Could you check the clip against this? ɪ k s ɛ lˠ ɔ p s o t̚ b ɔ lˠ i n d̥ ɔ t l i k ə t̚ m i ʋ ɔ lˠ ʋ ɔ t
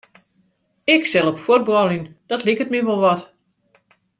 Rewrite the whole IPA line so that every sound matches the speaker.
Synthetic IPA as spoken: ɪ k s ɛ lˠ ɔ p f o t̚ b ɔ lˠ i n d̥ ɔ t l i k ə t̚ m i ʋ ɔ lˠ ʋ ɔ t